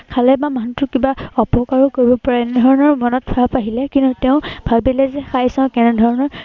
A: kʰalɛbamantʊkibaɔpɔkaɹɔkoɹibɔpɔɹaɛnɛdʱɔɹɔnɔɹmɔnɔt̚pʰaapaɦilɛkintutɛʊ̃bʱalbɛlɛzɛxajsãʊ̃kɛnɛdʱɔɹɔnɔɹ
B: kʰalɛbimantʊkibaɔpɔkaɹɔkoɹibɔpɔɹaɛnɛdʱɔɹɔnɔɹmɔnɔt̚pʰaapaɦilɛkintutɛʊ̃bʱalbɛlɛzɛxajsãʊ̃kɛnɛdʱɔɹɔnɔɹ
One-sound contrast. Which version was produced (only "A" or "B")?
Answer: A